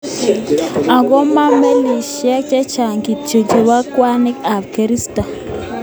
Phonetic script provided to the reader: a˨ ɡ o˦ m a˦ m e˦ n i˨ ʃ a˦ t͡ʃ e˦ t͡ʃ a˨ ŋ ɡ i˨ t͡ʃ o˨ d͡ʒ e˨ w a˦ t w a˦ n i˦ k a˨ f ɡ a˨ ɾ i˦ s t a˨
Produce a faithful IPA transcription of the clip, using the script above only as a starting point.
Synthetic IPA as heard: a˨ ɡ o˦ m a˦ m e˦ n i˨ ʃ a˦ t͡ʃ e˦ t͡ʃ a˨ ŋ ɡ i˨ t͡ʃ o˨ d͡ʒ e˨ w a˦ k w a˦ n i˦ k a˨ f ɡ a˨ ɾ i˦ s t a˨